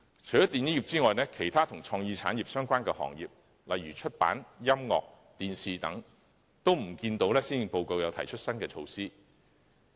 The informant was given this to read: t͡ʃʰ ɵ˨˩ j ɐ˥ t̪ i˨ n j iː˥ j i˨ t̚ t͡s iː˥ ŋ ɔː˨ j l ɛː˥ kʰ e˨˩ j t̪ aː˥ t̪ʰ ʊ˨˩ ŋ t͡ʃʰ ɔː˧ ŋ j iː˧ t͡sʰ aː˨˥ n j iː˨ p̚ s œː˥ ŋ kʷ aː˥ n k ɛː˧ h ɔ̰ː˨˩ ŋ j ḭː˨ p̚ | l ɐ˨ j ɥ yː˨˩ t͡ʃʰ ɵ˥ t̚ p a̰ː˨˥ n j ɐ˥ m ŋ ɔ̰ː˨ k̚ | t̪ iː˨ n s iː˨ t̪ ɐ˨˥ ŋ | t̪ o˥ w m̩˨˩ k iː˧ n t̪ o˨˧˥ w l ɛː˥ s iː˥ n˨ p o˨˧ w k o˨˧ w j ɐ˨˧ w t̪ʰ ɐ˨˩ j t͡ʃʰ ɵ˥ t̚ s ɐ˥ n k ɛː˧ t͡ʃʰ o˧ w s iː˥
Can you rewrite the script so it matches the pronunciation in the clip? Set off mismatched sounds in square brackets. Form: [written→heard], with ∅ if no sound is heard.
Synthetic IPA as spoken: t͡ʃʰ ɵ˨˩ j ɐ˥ t̪ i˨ n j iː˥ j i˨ [t̚→p̚] t͡s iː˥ ŋ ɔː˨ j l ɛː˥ kʰ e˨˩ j [t̪→t̪ʰ] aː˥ t̪ʰ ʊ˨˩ ŋ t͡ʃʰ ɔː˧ ŋ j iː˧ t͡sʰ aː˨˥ n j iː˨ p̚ s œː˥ ŋ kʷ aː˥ n k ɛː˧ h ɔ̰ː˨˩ ŋ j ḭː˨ p̚ | l ɐ˨ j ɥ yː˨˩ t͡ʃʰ ɵ˥ t̚ p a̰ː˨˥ n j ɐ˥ m ŋ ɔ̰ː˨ k̚ | t̪ iː˨ n s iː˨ t̪ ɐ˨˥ ŋ | t̪ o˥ w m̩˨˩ k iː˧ n t̪ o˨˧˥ w l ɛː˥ s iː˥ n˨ p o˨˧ w k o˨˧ w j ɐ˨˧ w t̪ʰ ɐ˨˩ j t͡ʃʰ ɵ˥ t̚ s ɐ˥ n k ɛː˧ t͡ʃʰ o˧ w s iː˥